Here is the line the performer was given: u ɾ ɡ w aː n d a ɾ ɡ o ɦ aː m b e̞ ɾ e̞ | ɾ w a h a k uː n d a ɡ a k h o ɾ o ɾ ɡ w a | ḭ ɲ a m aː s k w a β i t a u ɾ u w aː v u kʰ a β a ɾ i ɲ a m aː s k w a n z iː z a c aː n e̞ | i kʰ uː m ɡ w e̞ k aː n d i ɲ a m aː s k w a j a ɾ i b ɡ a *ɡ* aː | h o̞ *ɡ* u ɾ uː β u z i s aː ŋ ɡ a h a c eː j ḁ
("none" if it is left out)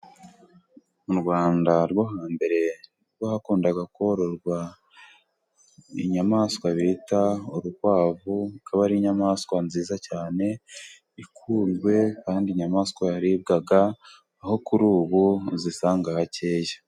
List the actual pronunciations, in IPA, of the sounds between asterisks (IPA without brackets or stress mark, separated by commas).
ɡ, k